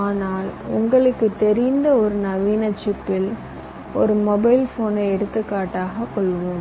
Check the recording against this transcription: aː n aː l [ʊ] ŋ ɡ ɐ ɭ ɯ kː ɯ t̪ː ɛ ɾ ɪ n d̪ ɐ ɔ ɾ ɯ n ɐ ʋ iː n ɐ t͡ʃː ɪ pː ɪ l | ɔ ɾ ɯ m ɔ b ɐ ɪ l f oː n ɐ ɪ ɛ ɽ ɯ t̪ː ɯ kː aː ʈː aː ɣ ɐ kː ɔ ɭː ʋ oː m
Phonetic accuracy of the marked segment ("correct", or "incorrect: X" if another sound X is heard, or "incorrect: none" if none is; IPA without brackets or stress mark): correct